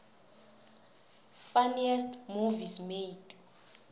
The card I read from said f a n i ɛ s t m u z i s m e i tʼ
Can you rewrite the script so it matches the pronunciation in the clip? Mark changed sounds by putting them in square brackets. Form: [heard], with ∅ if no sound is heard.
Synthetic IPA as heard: f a n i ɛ s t m u [v] i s m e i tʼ